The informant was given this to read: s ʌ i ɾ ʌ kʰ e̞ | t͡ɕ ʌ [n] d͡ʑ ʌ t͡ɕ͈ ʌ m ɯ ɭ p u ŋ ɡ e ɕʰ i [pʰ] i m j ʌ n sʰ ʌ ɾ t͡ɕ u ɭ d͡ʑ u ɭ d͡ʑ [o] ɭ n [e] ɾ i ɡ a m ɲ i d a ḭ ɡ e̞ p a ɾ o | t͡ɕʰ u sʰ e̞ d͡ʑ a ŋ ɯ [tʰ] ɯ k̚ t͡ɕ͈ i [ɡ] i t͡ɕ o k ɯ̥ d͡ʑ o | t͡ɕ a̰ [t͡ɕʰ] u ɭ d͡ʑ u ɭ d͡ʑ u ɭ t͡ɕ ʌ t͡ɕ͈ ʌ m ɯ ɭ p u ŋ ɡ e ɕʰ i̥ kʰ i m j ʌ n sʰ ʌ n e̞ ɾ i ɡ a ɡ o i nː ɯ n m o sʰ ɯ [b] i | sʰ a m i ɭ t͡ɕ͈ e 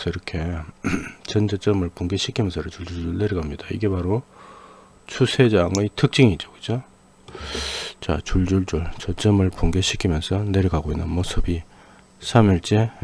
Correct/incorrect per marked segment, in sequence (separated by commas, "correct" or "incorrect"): correct, incorrect, incorrect, correct, correct, incorrect, incorrect, correct